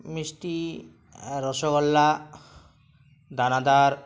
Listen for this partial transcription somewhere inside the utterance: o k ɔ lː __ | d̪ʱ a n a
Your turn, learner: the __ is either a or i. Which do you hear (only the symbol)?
a